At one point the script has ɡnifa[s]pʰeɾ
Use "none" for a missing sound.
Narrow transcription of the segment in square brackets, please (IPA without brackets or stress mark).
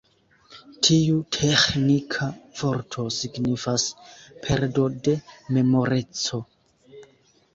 s